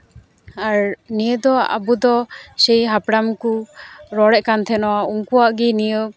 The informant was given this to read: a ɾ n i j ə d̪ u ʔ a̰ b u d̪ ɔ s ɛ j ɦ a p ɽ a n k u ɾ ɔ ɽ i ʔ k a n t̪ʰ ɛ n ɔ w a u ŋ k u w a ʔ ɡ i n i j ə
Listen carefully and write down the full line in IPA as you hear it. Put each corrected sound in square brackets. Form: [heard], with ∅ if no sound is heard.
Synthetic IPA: a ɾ n i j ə d̪ [ɔ] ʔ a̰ b u d̪ ɔ s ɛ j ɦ a p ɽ a [m] k u ɾ ɔ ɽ [ɛ] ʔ k a n t̪ʰ ɛ n ɔ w a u ŋ k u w a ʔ ɡ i n i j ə